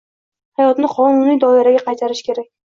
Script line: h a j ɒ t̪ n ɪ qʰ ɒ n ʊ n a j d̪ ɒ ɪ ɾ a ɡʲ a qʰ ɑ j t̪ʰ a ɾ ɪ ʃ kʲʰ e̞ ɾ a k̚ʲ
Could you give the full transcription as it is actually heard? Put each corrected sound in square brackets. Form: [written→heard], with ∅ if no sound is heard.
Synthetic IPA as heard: h a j ɒ t̪ n ɪ qʰ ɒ n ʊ n [a→i] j d̪ ɒ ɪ ɾ a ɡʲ a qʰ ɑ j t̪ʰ a ɾ ɪ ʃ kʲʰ e̞ ɾ a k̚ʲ

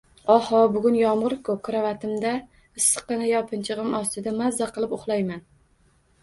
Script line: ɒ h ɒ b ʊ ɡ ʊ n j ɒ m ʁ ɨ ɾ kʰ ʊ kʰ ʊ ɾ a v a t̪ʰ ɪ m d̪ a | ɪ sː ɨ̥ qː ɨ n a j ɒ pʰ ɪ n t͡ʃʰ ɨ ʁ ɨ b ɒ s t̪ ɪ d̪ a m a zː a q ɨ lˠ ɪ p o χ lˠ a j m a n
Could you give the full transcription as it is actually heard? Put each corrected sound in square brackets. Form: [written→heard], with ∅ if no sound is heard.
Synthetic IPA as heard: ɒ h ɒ b ʊ ɡ ʊ n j ɒ m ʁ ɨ ɾ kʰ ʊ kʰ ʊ ɾ a v a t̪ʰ ɪ m d̪ a | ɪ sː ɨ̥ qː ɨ n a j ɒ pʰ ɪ n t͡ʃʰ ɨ ʁ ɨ [b→m] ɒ s t̪ ɪ d̪ a m a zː a q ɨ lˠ ɪ p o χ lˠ a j m a n

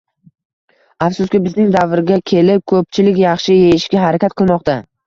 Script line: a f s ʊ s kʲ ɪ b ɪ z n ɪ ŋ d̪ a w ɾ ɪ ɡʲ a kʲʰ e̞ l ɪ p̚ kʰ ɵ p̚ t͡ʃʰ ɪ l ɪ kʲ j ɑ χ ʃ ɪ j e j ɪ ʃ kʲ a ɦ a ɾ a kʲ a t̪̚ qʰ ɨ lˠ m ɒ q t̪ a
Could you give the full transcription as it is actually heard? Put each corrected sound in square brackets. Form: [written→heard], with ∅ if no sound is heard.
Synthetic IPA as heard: a f s ʊ s kʲ ɪ b ɪ z n ɪ ŋ d̪ a [w→v] ɾ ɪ ɡʲ a kʲʰ e̞ l ɪ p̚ kʰ ɵ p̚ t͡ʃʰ ɪ l ɪ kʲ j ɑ χ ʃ ɪ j e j ɪ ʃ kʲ a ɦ a ɾ a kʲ a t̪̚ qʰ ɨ lˠ m ɒ q t̪ a

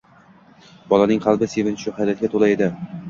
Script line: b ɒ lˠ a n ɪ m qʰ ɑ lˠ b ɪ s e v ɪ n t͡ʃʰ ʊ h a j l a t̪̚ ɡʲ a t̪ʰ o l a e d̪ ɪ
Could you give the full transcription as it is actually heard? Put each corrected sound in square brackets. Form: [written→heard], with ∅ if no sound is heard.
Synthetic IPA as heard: b ɒ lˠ a n ɪ [m→ŋ] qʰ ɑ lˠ b ɪ s e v ɪ n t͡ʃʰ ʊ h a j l a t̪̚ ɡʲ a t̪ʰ o l a e d̪ ɪ

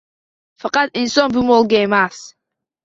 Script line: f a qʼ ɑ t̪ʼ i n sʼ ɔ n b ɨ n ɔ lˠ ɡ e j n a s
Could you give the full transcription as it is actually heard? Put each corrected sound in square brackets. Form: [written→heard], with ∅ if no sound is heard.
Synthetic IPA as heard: f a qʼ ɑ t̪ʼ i n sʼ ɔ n b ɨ [n→m] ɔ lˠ ɡ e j [n→m] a s

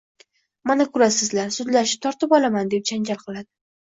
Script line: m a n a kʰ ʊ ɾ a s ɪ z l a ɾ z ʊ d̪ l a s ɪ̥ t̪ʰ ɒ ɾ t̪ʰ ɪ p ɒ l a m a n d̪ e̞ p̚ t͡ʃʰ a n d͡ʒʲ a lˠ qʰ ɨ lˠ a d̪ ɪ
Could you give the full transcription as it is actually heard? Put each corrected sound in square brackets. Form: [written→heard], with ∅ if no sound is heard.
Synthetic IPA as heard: m a n a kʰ ʊ ɾ a s ɪ z l a ɾ [z→s] ʊ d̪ l a [s→ʃ] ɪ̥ t̪ʰ ɒ ɾ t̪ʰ ɪ p ɒ l a m a n d̪ e̞ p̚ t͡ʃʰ a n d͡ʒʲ a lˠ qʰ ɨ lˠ a d̪ ɪ

